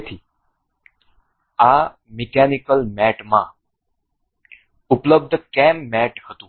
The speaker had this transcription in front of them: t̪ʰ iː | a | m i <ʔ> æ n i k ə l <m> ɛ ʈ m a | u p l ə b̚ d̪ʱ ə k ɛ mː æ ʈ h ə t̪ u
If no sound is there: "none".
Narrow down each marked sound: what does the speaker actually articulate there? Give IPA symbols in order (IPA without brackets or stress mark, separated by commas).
k, m